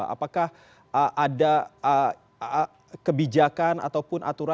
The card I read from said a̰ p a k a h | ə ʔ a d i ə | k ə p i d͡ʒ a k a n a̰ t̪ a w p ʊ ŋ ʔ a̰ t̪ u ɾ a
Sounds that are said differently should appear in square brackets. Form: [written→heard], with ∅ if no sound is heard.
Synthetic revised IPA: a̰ p a k a h | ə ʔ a d [i→a] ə | k ə [p→b] i d͡ʒ a k a n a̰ t̪ a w p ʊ [ŋ→n] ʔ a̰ t̪ u ɾ a